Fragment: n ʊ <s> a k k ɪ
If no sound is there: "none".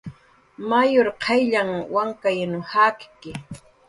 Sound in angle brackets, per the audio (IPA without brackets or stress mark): h